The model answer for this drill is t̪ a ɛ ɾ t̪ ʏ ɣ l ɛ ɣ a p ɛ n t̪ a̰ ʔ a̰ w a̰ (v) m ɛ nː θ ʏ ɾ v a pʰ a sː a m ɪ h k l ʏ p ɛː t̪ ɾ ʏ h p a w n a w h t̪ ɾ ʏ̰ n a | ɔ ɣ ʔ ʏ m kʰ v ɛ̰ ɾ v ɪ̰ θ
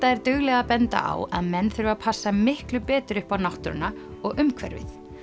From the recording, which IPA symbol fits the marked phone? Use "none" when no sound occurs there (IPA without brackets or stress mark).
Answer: ð